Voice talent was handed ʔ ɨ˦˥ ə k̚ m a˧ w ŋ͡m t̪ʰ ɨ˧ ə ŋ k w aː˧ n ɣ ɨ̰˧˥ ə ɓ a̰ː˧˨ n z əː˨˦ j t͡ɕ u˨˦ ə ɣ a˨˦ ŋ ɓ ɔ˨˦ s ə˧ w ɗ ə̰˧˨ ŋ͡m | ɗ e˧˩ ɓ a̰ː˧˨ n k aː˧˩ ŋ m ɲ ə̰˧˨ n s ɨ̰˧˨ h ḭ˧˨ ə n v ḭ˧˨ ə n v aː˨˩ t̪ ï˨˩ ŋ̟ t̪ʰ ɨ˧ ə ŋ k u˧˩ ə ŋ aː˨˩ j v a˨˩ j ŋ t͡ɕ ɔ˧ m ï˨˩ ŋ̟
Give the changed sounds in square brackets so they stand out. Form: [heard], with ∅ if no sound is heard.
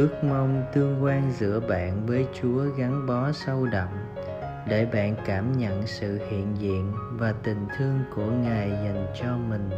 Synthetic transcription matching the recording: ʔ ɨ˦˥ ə k̚ m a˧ w ŋ͡m [t̪] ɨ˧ ə ŋ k w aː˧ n [z] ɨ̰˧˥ ə ɓ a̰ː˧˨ n [v] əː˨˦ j t͡ɕ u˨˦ ə ɣ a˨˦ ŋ ɓ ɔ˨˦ s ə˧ w ɗ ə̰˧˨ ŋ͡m | ɗ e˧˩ ɓ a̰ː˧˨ n k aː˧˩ [∅] m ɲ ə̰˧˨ n s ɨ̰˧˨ h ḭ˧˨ ə n [z] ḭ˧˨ ə n v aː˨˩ t̪ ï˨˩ ŋ̟ t̪ʰ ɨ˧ ə ŋ k u˧˩ ə ŋ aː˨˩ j [z] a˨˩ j ŋ t͡ɕ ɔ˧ m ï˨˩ ŋ̟